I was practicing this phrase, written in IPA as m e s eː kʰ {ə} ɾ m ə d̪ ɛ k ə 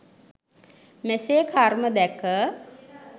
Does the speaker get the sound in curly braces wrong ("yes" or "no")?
yes